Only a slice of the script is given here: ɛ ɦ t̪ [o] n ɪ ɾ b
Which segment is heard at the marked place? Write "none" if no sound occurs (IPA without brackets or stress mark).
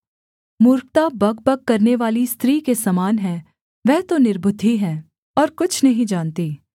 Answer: o